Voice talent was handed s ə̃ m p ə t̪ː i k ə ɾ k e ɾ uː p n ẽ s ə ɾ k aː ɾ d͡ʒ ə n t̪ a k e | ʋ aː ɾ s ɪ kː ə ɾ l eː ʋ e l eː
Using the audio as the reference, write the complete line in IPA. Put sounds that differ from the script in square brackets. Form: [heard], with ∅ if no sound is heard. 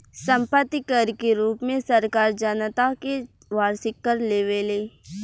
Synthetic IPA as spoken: s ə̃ m p ə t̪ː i k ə ɾ k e ɾ uː p [m] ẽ s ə ɾ k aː ɾ d͡ʒ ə n t̪ a k e | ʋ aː ɾ s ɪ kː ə ɾ l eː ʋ e l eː